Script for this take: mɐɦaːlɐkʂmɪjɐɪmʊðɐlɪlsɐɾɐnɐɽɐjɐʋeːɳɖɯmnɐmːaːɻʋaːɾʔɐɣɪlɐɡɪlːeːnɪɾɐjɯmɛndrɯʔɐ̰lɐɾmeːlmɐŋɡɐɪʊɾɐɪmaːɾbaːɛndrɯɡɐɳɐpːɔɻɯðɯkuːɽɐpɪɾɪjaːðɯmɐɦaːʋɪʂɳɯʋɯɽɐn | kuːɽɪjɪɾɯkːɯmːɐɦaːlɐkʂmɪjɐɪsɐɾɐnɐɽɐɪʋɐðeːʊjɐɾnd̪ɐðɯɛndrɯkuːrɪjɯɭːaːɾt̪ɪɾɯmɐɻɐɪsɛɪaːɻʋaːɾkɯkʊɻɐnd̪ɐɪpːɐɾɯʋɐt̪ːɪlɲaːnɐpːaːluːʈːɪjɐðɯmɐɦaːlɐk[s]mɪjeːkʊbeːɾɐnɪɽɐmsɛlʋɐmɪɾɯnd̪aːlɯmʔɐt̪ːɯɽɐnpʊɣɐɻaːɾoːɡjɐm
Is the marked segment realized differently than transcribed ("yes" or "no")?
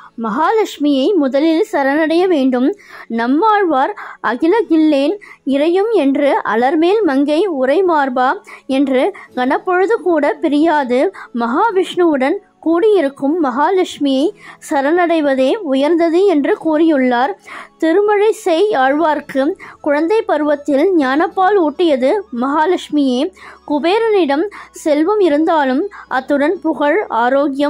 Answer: yes